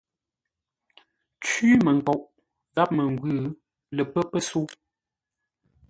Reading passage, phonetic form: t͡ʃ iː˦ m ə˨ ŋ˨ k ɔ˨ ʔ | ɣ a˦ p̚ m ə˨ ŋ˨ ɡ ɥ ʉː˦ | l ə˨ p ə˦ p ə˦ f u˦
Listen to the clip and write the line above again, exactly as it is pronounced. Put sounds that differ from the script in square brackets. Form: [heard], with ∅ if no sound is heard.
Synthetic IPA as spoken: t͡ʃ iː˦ m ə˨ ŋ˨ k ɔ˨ ʔ | ɣ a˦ p̚ m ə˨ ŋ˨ ɡ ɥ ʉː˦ | l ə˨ p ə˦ p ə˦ [s] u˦